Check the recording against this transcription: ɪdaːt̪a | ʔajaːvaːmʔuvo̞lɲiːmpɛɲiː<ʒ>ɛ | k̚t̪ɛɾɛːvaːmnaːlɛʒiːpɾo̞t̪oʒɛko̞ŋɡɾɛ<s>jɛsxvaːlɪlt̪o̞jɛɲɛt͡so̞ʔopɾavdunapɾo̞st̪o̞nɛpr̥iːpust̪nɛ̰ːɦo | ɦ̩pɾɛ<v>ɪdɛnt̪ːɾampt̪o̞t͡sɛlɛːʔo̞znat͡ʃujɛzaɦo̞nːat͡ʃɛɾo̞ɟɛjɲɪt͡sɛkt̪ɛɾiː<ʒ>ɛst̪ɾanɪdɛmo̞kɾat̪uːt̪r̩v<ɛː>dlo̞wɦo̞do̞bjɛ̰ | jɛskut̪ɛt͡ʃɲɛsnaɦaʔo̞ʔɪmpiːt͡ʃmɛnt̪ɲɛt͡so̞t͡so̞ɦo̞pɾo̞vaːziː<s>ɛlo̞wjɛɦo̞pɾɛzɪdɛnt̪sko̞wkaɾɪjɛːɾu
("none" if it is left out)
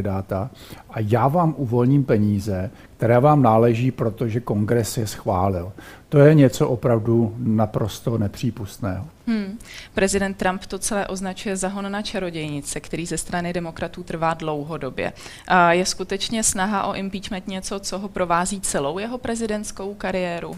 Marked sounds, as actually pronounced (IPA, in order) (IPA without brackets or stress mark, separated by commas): z, s, z, z, aː, t͡s